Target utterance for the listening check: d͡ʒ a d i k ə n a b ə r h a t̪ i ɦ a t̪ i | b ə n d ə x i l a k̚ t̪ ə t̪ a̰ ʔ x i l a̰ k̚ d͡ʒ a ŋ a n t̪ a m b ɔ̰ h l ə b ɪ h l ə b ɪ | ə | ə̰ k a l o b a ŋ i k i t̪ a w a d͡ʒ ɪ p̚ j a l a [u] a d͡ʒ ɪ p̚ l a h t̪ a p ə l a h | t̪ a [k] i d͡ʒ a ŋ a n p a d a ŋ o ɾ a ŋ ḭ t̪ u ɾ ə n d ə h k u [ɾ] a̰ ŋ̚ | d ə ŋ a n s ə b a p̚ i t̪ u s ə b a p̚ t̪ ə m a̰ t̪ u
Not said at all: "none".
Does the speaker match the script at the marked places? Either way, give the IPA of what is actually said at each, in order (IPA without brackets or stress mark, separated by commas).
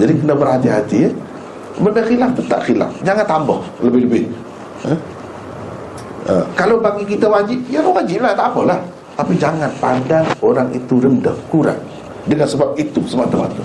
w, p, ɾ